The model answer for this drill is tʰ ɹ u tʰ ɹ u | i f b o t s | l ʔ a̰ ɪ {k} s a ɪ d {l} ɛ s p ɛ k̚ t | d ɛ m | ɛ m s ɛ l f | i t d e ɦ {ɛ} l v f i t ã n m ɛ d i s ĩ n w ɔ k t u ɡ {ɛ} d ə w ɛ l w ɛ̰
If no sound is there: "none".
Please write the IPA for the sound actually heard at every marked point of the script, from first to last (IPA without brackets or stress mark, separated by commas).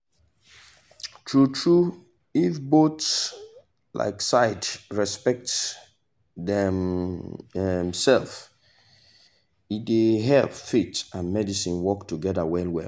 k, ɹ, ɛ, ɛ